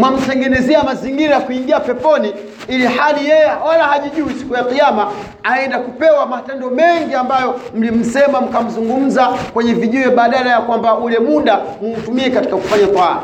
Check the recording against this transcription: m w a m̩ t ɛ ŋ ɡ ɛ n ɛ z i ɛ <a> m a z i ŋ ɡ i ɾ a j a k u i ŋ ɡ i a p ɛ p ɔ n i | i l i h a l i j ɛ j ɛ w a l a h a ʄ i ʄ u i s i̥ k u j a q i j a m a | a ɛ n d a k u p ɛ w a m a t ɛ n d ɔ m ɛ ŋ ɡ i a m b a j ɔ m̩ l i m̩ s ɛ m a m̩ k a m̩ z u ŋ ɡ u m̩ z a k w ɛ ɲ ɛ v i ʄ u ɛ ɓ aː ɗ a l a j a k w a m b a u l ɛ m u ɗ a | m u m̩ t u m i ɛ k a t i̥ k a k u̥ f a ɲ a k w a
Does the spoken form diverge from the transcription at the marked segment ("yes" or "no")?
no